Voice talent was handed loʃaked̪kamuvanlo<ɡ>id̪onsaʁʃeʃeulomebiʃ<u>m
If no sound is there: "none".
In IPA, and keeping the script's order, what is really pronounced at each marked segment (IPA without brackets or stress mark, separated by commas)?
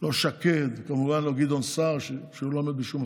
ɡ, u